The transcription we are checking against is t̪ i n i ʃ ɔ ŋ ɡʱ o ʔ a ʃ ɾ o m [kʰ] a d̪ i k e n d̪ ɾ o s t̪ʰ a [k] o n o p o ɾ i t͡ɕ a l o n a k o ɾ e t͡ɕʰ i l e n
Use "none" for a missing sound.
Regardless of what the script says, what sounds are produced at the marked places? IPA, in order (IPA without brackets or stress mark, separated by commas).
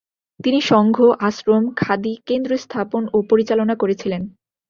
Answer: kʰ, p